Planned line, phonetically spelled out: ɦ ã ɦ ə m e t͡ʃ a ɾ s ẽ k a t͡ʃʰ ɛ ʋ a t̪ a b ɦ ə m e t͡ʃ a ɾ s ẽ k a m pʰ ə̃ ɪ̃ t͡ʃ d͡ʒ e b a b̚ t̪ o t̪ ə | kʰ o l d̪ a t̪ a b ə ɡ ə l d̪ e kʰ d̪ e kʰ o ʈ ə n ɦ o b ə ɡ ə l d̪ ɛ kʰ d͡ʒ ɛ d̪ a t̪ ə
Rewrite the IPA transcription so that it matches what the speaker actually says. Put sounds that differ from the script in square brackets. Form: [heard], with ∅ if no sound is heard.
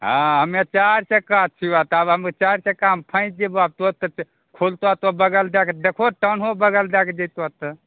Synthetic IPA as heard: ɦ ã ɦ ə m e t͡ʃ a ɾ s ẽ k a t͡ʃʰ [i] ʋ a t̪ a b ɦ ə m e t͡ʃ a ɾ s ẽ k a m pʰ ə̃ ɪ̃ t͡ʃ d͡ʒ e b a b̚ t̪ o t̪ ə | kʰ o l [t̪] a t̪ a b ə ɡ ə l d̪ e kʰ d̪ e kʰ o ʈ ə n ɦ o b ə ɡ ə l d̪ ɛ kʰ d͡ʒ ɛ [t̪] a t̪ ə

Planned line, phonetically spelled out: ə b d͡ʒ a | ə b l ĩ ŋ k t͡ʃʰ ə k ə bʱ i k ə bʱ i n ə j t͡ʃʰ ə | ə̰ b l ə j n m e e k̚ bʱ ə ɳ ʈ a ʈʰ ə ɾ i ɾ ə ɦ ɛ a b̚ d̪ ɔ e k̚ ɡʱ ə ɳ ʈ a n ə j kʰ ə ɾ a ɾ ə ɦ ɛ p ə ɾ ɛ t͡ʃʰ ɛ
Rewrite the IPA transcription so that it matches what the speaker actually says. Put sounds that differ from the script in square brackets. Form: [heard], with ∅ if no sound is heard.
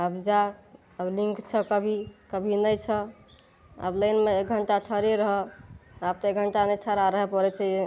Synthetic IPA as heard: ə b d͡ʒ a | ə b l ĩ ŋ k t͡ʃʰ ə k ə bʱ i k ə bʱ i n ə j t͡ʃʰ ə | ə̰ b l ə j n m e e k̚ [ɡʱ] ə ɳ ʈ a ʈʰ ə ɾ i ɾ ə ɦ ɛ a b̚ [t̪] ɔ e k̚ ɡʱ ə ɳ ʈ a n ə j [ʈʰ] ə ɾ a ɾ ə ɦ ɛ p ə ɾ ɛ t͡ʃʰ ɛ

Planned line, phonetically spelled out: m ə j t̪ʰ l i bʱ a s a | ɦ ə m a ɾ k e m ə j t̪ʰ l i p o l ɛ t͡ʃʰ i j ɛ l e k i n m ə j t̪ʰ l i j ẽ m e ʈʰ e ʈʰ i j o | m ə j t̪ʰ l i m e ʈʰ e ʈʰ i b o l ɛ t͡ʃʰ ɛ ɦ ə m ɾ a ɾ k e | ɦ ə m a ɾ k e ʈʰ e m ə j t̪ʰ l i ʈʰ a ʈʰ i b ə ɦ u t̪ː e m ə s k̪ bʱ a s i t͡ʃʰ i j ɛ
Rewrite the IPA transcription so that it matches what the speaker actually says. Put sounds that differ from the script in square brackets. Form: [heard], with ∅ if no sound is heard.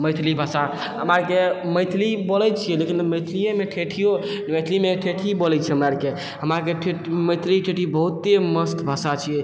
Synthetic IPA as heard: m ə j t̪ʰ l i bʱ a s a | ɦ ə m a ɾ k e m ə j t̪ʰ l i [b] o l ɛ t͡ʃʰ i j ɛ l e k i n m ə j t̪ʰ l i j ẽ m e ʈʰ e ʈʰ i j o | m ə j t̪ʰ l i m e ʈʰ e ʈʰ i b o l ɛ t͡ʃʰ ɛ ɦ ə m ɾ a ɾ k e | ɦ ə m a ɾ k e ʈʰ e m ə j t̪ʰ l i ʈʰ [e] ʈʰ i b ə ɦ u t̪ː e m ə s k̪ bʱ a s [a] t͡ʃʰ i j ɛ

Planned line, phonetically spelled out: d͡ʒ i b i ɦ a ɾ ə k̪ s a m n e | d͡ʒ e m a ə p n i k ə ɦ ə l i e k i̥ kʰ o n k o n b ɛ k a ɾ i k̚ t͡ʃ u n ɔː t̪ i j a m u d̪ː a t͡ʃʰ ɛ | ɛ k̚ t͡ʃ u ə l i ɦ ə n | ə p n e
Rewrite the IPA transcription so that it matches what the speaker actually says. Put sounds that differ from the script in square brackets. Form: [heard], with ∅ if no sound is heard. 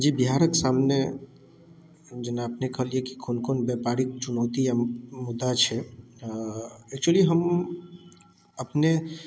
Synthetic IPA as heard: d͡ʒ i b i ɦ a ɾ ə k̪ s a m n e | d͡ʒ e [n] a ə p n [e] k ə ɦ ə l i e k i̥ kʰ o n k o n b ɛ [p] a ɾ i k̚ t͡ʃ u n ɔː t̪ i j a m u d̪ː a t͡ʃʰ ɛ | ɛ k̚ t͡ʃ u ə l i ɦ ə [m] | ə p n e

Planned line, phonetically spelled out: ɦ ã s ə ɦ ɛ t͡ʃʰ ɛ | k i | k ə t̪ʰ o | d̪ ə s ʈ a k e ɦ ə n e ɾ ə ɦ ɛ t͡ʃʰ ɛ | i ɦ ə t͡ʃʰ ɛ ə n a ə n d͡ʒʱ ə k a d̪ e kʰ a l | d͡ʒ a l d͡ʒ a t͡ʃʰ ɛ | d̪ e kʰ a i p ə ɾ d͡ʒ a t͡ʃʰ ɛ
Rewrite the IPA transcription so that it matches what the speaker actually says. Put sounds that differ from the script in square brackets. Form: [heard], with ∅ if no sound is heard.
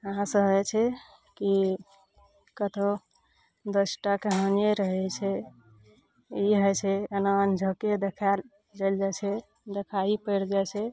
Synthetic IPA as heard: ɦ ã s ə ɦ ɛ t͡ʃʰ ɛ | k i | k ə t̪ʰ o | d̪ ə s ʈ a k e ɦ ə n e ɾ ə ɦ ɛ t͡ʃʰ ɛ | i ɦ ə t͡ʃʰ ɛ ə n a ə n d͡ʒʱ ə k [e] d̪ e kʰ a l | d͡ʒ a l d͡ʒ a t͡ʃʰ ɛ | d̪ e kʰ a i p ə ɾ d͡ʒ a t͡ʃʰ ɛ

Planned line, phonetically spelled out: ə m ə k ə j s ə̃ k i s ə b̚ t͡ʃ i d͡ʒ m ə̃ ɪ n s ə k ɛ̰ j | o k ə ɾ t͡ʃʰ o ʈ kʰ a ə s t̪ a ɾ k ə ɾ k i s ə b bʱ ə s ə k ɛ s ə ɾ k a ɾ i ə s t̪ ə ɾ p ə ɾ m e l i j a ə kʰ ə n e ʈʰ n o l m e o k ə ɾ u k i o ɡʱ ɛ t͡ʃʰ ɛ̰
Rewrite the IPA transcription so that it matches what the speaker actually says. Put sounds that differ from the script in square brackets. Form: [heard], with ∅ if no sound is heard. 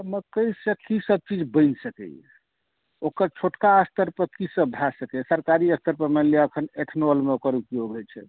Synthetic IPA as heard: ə m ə k ə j s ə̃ k i s ə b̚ t͡ʃ i d͡ʒ [b] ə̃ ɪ n s ə k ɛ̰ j | o k ə ɾ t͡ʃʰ o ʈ [k] a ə s t̪ [ə] ɾ [p] ə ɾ k i s ə b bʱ [a] s ə k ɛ s ə ɾ k a ɾ i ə s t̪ ə ɾ p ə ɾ m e l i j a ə kʰ ə n e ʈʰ n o l m e o k ə ɾ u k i o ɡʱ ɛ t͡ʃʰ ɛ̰

